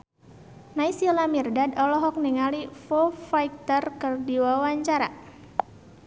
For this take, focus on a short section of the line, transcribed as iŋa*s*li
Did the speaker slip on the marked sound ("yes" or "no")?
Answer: yes